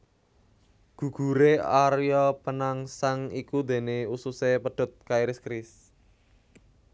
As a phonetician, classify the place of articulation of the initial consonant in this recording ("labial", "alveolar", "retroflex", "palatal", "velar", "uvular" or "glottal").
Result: velar